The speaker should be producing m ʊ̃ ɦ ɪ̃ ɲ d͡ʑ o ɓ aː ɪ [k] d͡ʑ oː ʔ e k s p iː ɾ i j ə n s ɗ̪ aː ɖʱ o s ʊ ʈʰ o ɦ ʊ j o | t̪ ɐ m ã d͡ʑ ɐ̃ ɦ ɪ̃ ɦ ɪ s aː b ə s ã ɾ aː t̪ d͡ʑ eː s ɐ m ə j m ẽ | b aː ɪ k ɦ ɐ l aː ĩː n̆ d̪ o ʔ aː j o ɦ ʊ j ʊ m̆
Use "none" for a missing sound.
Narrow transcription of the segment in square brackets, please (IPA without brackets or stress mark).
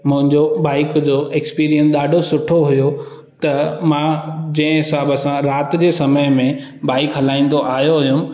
k